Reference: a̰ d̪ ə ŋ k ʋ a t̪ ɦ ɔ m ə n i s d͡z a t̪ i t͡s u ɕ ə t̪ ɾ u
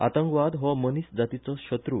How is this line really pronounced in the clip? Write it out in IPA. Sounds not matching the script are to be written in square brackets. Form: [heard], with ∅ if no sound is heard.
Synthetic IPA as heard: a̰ [t̪] ə ŋ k ʋ a [d̪] ɦ ɔ m ə n i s d͡z a t̪ i t͡s [ɔ] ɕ ə t̪ ɾ u